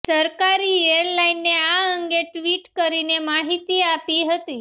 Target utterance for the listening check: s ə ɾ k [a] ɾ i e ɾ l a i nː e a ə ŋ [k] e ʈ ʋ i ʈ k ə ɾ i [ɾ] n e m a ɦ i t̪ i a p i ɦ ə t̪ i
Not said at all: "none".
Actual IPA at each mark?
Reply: a, ɡ, none

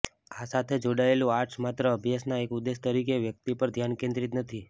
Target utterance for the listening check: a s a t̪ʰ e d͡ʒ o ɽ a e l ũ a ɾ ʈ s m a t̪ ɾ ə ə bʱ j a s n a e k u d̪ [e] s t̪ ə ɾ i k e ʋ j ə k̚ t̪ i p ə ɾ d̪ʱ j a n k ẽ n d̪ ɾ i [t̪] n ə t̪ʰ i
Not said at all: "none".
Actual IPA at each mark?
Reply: e, t̪

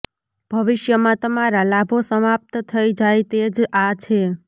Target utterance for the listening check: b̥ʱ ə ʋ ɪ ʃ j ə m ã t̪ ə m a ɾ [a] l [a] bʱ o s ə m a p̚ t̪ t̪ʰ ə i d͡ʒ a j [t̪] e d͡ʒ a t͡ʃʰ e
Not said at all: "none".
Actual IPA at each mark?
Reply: a, a, t̪

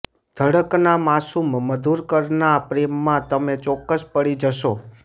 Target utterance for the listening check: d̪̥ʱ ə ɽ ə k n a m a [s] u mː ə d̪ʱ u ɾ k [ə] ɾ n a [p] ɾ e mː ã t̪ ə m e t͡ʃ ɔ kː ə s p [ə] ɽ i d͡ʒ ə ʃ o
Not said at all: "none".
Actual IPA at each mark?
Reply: s, ə, p, ə

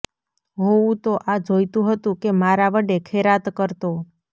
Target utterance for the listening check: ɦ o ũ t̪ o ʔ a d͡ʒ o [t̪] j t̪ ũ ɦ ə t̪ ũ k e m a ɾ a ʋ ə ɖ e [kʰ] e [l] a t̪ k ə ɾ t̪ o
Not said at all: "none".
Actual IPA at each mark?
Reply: none, kʰ, ɾ

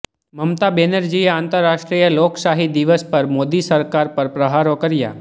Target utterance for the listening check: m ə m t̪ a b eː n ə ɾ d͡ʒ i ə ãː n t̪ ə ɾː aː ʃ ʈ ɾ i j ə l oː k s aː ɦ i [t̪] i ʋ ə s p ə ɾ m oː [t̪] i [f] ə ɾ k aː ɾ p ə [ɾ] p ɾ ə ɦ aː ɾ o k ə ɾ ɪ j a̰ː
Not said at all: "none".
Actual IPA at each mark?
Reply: d̪, d̪, s, ɾ

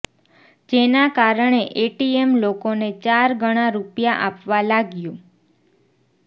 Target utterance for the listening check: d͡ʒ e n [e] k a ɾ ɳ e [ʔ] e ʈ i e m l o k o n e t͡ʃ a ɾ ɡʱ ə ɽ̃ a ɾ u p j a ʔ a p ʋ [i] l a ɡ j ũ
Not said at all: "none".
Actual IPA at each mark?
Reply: a, ʔ, a

